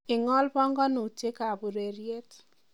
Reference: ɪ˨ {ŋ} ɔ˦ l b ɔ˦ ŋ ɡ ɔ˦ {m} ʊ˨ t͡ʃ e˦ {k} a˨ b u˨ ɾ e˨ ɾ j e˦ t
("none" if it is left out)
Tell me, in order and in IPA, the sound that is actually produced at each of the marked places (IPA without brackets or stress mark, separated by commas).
ŋ, n, k